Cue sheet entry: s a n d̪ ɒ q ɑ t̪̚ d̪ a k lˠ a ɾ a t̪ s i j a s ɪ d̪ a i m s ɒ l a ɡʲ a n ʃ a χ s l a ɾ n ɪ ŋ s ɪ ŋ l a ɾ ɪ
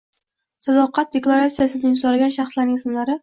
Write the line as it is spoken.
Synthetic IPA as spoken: s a d̪ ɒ q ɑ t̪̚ d̪ e k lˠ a ɾ a t̪ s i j a s ɪ d̪ a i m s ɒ l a ɡʲ a n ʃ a χ s l a ɾ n ɪ ŋ s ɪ m l a ɾ ɪ

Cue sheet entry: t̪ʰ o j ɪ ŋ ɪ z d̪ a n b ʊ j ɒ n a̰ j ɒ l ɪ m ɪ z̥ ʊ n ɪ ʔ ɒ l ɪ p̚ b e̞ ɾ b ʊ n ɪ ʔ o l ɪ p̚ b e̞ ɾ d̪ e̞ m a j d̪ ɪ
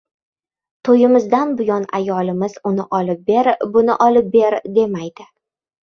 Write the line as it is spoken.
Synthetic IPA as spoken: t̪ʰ o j ɪ m ɪ z d̪ a n b ʊ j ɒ n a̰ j ɒ l ɪ m ɪ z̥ ʊ n ɪ ʔ ɒ l ɪ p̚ b e̞ ɾ b ʊ n ɪ ʔ ɒ l ɪ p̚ b e̞ ɾ d̪ e̞ m a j d̪ ɪ

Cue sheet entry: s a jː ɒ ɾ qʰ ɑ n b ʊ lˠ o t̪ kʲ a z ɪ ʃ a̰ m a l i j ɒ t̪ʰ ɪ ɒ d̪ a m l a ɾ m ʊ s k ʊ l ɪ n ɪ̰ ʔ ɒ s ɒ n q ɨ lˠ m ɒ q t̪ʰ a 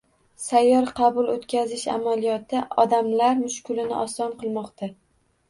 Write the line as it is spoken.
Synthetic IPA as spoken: s a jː ɒ ɾ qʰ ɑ b ʊ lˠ o t̪ kʲ a z ɪ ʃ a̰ m a l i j ɒ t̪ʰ ɪ ɒ d̪ a m l a ɾ m ʊ ʃ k ʊ l ɪ n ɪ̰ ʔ ɒ s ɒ n q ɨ lˠ m ɒ q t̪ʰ a

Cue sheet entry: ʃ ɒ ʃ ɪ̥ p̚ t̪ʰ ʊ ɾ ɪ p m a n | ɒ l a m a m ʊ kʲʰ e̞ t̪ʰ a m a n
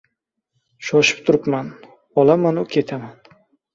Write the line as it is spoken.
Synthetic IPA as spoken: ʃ ɒ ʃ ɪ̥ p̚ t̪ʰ ʊ ɾ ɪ p m a n | ɒ l a m a n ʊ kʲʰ e̞ t̪ʰ a m a n

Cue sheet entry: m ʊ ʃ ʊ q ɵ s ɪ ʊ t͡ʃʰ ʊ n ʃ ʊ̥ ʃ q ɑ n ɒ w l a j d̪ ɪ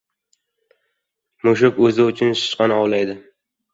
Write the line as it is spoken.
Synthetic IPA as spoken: m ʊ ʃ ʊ k ɵ z ɪ ʊ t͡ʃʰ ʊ n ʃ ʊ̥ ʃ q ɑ n ɒ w l a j d̪ ɪ

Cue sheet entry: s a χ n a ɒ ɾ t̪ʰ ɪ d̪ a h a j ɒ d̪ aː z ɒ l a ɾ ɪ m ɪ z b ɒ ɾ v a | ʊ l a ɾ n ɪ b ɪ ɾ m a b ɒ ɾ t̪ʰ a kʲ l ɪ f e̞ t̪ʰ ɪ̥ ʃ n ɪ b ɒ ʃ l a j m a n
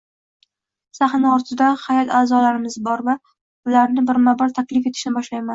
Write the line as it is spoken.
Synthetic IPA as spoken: s a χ n a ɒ ɾ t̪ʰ ɪ d̪ a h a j ɒ t̪ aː z ɒ l a ɾ ɪ m ɪ z b ɒ ɾ v a | ʊ l a ɾ n ɪ b ɪ ɾ m a b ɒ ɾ t̪ʰ a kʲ l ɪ f e̞ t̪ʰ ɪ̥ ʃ n ɪ b ɒ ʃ l a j m a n

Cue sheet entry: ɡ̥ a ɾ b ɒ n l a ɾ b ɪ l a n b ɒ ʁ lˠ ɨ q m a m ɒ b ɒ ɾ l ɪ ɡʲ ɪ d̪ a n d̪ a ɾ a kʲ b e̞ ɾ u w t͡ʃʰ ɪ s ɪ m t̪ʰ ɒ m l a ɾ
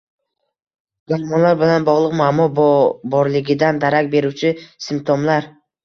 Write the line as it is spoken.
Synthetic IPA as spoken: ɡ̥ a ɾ m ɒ n l a ɾ b ɪ l a n b ɒ ʁ lˠ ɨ q m a m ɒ b ɒ ɾ l ɪ ɡʲ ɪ d̪ a n d̪ a ɾ a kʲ b e̞ ɾ u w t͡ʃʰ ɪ s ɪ m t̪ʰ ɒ m l a ɾ

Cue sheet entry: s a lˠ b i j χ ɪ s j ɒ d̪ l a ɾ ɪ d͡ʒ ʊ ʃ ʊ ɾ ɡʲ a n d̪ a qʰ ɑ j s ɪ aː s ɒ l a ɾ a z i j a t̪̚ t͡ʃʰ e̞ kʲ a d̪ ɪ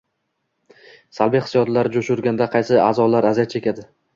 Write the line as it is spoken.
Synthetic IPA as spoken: s a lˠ b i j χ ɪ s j ɒ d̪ l a ɾ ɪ d͡ʒ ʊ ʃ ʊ ɾ ɡʲ a n d̪ a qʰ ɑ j s ɪ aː z ɒ l a ɾ a z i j a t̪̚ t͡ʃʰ e̞ kʲ a d̪ ɪ

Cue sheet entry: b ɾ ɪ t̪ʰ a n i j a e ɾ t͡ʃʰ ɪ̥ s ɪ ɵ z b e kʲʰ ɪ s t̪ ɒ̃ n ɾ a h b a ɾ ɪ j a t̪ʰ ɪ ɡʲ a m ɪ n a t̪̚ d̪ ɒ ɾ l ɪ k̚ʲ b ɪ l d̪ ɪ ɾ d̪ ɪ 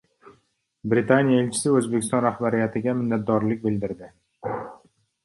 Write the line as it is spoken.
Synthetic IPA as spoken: b ɾ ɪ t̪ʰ a n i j a e l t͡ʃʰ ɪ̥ s ɪ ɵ z b e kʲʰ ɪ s t̪ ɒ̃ n ɾ a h b a ɾ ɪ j a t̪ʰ ɪ ɡʲ a m ɪ nː a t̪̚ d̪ ɒ ɾ l ɪ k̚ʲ b ɪ l d̪ ɪ ɾ d̪ ɪ

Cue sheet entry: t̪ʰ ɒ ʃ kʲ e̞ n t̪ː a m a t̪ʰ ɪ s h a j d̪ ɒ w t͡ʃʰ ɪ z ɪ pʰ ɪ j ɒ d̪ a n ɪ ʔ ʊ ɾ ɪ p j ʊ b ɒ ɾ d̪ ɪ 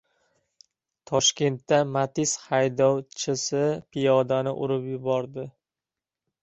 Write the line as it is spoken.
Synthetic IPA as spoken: t̪ʰ ɒ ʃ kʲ e̞ n t̪ː a m a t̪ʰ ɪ s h a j d̪ ɒ w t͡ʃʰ ɪ s ɪ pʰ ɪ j ɒ d̪ a n ɪ ʔ ʊ ɾ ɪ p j ʊ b ɒ ɾ d̪ ɪ

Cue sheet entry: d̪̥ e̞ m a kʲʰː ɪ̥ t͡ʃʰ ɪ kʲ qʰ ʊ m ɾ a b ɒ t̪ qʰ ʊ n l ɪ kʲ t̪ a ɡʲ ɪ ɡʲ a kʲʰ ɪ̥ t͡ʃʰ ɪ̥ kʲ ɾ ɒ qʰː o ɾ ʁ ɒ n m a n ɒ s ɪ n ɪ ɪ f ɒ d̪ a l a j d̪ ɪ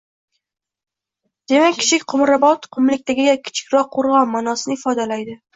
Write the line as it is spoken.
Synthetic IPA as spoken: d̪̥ e̞ m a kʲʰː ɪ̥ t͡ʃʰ ɪ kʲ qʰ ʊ m ɾ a b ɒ t̪ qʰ ʊ m l ɪ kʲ t̪ a ɡʲ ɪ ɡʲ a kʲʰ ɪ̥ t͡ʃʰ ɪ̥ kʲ ɾ ɒ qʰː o ɾ ʁ ɒ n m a n ɒ s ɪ n ɪ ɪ f ɒ d̪ a l a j d̪ ɪ

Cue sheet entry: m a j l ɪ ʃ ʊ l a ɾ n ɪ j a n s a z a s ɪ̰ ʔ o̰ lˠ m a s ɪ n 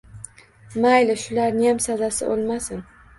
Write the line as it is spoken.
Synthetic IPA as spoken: m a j l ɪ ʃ ʊ l a ɾ n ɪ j a m s a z a s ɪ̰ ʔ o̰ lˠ m a s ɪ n

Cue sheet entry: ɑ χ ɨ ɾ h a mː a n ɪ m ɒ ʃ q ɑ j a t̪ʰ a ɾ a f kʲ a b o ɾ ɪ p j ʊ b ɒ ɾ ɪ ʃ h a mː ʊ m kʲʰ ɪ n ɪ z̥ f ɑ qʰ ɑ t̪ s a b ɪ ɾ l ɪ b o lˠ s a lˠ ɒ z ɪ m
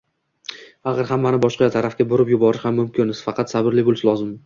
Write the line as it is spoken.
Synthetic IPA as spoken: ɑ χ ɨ ɾ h a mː a n ɪ b ɒ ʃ q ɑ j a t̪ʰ a ɾ a f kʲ a b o ɾ ɪ p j ʊ b ɒ ɾ ɪ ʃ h a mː ʊ m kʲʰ ɪ n ɪ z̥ f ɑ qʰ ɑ t̪ s a b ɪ ɾ l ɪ b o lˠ s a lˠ ɒ z ɪ m

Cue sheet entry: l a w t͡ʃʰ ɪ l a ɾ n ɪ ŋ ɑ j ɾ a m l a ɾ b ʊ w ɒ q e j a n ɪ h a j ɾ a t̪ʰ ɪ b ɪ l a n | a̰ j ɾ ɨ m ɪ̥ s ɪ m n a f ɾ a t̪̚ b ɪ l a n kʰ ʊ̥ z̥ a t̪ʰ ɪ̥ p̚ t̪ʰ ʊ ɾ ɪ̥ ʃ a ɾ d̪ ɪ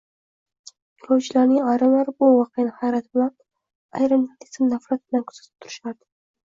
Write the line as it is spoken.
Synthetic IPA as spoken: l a w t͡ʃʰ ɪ l a ɾ n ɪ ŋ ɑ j ɾ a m l a ɾ b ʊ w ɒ q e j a n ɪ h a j ɾ a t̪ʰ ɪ b ɪ l a n | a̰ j ɾ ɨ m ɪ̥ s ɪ m n a f ɾ a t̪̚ b ɪ l a n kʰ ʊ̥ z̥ a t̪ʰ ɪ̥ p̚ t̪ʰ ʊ ɾ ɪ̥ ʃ a ɾ d̪ ɪ

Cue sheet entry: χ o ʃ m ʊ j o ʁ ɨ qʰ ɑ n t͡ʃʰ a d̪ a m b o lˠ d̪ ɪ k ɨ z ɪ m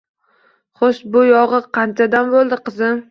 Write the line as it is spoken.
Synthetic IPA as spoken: χ o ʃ b ʊ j ɒ ʁ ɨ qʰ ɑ n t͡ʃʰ a d̪ a m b o lˠ d̪ ɪ q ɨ z ɪ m

